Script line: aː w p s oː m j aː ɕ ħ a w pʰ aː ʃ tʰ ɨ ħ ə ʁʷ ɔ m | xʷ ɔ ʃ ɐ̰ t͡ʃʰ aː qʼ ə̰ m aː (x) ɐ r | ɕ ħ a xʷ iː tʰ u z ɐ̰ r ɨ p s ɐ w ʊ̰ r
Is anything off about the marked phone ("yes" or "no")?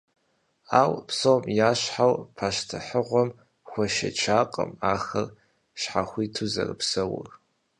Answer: no